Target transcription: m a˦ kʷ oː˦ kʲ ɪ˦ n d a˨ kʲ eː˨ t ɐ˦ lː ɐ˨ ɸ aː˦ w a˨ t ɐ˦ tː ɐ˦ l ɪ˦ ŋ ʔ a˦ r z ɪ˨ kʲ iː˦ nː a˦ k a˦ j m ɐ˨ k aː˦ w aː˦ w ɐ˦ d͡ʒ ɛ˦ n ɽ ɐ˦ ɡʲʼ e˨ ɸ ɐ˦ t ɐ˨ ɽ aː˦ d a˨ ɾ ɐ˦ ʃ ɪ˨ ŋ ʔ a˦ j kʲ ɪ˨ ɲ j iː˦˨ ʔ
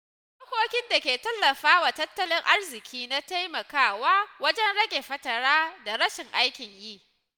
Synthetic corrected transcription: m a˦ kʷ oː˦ kʲ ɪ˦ n d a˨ kʲ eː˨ t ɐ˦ lː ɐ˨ ɸ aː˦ w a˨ t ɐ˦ tː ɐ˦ l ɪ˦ ŋ ʔ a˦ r z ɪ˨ kʲ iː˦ n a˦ t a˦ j m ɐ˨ k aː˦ w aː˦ w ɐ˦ d͡ʒ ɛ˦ n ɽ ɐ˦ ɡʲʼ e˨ ɸ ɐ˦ t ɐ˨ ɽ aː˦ d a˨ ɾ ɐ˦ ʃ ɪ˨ ŋ ʔ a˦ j kʲ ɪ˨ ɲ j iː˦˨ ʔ